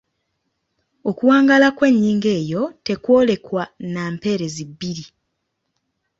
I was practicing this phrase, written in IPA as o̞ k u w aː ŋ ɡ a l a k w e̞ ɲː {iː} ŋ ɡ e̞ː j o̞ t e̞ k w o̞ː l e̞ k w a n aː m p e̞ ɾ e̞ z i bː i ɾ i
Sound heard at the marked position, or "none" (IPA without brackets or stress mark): iː